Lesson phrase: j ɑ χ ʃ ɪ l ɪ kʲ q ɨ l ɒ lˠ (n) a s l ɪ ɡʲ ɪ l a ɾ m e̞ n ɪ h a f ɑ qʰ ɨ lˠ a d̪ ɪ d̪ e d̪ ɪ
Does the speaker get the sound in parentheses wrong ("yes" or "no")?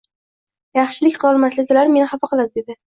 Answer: yes